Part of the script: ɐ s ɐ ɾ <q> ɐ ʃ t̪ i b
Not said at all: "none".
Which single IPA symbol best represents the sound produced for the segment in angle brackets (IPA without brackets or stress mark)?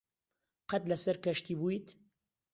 k